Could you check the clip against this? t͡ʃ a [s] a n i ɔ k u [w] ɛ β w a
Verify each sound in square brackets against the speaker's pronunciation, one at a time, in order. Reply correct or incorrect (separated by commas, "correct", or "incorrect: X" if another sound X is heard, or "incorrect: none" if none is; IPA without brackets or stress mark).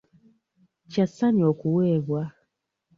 correct, correct